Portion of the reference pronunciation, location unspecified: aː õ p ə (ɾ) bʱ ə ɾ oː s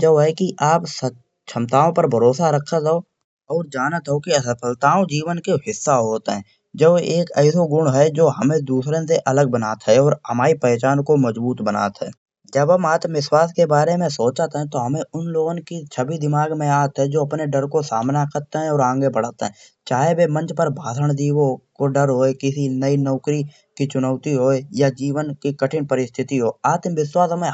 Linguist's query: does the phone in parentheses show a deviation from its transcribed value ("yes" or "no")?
no